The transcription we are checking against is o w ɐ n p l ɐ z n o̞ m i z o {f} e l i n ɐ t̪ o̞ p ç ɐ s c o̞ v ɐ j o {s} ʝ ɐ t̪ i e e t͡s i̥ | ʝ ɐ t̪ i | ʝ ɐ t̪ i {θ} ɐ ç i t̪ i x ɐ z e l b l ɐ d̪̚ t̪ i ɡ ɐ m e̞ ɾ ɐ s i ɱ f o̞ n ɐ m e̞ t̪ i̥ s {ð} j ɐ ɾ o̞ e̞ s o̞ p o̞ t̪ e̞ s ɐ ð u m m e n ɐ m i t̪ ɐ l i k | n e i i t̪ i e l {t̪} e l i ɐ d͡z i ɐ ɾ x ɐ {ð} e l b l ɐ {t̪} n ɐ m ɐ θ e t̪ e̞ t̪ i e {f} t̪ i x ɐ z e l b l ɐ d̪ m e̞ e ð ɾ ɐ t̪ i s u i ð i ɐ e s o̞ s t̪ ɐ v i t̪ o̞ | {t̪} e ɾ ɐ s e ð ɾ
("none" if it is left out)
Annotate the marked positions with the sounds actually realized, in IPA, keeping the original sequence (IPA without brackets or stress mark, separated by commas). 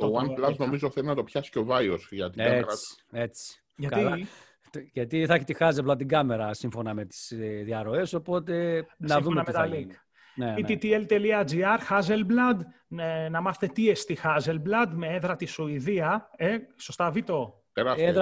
θ, s, θ, ð, t̪, z, d̪, s, t̪